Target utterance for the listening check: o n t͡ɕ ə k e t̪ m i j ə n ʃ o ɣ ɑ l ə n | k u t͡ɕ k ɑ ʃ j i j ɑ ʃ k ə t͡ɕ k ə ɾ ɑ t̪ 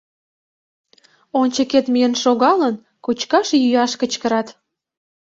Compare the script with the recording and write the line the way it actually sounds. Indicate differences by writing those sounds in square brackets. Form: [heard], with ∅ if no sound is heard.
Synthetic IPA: o n t͡ɕ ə k e t̪ m i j ə n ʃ o ɣ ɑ l ə n | k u t͡ɕ k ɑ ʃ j [y] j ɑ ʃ k ə t͡ɕ k ə ɾ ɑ t̪